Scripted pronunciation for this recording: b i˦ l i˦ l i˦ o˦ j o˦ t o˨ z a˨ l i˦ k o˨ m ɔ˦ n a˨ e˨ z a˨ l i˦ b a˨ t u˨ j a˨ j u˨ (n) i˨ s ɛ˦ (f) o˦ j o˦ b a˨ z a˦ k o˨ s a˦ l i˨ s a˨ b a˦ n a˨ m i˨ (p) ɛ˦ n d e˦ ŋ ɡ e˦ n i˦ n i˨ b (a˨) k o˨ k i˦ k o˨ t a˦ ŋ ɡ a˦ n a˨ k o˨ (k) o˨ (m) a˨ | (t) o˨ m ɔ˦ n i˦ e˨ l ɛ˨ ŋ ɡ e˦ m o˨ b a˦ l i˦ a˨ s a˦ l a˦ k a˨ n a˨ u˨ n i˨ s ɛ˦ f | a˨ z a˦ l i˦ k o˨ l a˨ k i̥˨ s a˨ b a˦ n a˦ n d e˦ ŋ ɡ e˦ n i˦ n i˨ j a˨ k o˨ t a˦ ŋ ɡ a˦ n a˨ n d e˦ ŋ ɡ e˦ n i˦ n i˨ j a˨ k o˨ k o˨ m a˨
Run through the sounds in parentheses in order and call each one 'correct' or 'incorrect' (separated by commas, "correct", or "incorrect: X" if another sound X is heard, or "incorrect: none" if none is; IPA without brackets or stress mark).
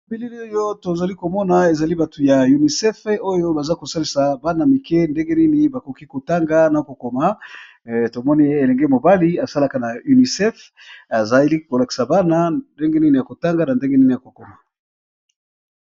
correct, correct, incorrect: k, correct, correct, correct, correct